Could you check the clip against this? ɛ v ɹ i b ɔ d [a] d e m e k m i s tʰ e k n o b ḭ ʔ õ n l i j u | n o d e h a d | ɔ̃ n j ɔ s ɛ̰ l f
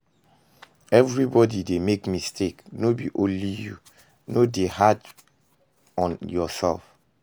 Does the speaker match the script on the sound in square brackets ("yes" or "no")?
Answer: no